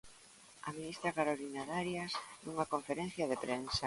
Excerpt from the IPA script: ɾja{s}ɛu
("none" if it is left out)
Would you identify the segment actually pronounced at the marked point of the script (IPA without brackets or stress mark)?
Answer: s